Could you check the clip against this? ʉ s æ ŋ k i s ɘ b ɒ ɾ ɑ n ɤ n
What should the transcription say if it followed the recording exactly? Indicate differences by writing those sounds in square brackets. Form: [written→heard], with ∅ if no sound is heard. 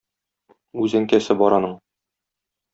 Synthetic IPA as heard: ʉ [s→z] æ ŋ k [i→æ] s ɘ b ɒ ɾ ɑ n ɤ [n→ɴ]